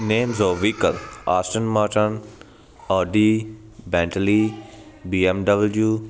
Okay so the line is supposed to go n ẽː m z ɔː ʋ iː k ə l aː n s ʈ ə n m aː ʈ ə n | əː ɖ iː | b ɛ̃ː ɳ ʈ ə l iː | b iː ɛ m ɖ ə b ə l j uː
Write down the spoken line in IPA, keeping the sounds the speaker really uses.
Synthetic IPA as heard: n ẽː m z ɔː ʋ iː k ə l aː s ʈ ə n m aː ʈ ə n | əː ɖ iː | b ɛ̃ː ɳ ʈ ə l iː | b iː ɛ m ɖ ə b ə l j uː